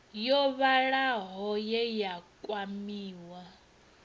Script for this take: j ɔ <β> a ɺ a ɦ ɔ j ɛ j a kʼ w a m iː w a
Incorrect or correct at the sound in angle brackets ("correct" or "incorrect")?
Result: correct